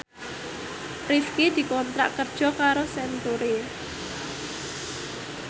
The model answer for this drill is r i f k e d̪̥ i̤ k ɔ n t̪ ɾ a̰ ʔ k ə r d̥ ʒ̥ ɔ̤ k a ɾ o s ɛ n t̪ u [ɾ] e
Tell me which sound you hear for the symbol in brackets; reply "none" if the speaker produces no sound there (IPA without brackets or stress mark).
ɾ